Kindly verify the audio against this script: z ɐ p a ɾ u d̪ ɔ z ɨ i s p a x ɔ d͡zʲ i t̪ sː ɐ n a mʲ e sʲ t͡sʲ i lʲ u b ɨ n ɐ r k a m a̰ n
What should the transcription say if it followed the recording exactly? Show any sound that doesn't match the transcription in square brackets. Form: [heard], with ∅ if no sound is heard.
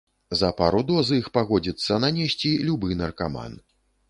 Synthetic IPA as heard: z ɐ p a ɾ u d̪ ɔ z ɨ i [x] p a [ɣ] ɔ d͡zʲ i t̪ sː ɐ n a [nʲ] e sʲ t͡sʲ i lʲ u b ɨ n ɐ r k a m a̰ n